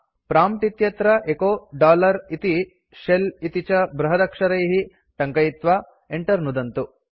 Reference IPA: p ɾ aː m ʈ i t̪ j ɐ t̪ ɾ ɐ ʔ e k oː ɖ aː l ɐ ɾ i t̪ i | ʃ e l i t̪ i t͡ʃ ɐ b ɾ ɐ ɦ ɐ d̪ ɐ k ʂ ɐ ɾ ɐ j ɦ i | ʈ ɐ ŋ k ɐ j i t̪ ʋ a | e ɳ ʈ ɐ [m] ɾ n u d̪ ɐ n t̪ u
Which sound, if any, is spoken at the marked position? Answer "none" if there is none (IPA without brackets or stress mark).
none